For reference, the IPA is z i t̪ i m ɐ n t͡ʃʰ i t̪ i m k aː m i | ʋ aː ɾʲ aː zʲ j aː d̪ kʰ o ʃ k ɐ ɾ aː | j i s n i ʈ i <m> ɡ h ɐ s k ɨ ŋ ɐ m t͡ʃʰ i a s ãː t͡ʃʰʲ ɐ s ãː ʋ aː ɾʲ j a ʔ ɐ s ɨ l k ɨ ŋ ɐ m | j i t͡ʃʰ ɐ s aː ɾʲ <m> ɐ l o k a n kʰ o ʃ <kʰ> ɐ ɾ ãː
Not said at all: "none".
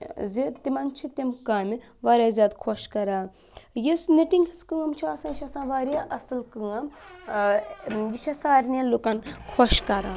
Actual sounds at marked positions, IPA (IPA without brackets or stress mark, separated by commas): ŋ, n, k